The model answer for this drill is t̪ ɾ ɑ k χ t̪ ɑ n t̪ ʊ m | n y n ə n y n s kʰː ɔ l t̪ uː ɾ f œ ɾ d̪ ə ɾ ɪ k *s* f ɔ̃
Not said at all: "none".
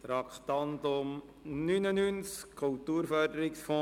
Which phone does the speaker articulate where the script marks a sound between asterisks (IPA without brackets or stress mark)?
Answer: s